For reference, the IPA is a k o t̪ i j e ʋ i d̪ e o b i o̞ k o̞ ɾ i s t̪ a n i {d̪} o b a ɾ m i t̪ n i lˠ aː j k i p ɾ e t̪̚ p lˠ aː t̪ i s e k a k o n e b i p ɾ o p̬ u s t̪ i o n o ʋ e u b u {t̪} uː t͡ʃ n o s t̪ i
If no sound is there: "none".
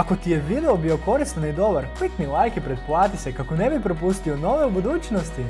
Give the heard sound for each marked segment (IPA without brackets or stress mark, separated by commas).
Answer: d̪, d̪